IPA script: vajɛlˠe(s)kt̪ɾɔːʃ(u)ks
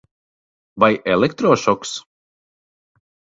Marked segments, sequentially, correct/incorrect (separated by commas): incorrect, incorrect